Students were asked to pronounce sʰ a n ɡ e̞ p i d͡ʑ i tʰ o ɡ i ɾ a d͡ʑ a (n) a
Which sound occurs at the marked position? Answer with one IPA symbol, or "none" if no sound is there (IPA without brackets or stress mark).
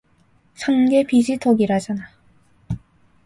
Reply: n